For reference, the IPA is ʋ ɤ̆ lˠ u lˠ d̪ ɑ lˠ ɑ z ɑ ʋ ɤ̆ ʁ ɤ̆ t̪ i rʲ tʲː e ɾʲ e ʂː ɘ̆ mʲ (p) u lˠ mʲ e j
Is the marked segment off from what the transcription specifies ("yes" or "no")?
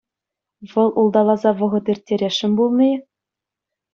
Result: yes